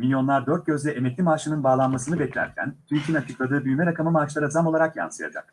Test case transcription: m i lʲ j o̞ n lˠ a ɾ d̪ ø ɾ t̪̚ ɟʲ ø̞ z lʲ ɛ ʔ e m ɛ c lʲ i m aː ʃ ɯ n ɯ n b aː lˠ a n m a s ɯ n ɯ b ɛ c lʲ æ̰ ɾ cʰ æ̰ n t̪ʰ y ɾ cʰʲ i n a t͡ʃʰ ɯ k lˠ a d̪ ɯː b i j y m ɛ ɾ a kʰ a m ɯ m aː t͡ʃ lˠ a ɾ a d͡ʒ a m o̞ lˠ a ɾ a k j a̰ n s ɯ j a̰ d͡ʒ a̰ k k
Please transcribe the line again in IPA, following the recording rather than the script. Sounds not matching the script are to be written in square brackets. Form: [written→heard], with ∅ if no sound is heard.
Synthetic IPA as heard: m i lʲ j o̞ n lˠ a ɾ d̪ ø ɾ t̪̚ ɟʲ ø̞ z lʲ ɛ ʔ e m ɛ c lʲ i m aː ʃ ɯ n ɯ n b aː lˠ a n m a s ɯ n ɯ b ɛ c lʲ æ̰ ɾ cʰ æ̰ n t̪ʰ y ɾ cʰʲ i n a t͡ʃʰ ɯ k lˠ a d̪ ɯː b [i→y] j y m ɛ ɾ a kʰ a m ɯ m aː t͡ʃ lˠ a ɾ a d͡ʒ a m o̞ lˠ a ɾ a k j a̰ n s ɯ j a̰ d͡ʒ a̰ k k